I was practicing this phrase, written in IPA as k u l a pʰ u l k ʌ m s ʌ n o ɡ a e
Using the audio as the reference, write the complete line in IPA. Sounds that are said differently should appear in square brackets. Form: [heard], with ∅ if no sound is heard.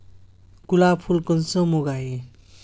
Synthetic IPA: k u l a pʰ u l k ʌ [n] s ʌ [m] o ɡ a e